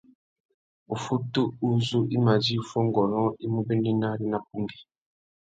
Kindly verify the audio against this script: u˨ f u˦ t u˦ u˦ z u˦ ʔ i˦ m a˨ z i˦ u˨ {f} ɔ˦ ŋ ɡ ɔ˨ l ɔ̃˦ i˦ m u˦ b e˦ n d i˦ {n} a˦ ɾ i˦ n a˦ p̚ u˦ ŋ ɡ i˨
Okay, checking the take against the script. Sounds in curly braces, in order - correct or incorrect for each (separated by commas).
correct, correct